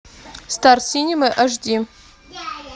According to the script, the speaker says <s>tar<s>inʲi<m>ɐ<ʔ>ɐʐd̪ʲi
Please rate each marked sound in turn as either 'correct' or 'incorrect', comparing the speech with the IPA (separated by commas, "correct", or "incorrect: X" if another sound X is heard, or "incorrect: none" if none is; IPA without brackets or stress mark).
correct, correct, correct, correct